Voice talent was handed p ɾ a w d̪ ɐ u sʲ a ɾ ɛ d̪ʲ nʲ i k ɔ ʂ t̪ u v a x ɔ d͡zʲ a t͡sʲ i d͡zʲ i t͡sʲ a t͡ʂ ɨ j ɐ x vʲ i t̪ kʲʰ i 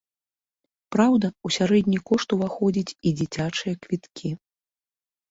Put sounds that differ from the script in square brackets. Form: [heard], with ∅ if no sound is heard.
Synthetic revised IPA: p ɾ a w d̪ ɐ u sʲ a ɾ ɛ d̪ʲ nʲ i k ɔ ʂ t̪ u v a x ɔ d͡zʲ [i] t͡sʲ i d͡zʲ i t͡sʲ a t͡ʂ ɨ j ɐ [k] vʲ i t̪ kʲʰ i